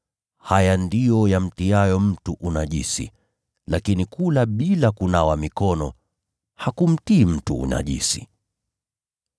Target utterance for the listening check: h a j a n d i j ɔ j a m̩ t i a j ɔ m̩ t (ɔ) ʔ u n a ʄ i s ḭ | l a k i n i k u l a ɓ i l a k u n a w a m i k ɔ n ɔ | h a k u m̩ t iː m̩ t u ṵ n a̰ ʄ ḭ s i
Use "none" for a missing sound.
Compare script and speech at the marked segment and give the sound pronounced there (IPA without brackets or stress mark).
u